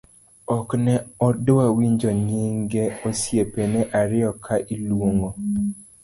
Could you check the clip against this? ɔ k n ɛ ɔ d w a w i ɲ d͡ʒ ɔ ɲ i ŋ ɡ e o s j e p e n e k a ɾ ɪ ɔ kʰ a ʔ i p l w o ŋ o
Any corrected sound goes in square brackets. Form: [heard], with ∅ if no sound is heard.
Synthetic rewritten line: ɔ k n ɛ ɔ d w a w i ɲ d͡ʒ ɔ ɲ i ŋ ɡ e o s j e p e n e [ʔ] a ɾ ɪ ɔ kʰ a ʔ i [∅] l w o ŋ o